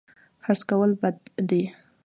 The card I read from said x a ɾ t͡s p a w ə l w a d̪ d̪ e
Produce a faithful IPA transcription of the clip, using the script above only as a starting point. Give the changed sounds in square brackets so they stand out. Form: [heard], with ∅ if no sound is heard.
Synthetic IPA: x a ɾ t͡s [k] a w ə l [b] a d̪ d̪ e